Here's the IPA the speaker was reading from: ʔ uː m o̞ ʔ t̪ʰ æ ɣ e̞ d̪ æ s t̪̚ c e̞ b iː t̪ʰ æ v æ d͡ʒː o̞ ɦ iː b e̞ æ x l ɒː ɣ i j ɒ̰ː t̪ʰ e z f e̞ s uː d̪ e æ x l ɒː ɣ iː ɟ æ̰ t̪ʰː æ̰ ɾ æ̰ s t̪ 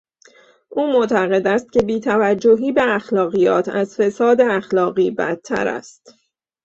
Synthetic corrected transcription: ʔ uː m o̞ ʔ t̪ʰ æ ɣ e̞ d̪ æ s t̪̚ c e̞ b iː t̪ʰ æ v æ d͡ʒː o̞ ɦ iː b e̞ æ x l ɒː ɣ i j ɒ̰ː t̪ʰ æ z f e̞ s ɒː d̪ e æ x l ɒː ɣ iː b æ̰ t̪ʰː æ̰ ɾ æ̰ s t̪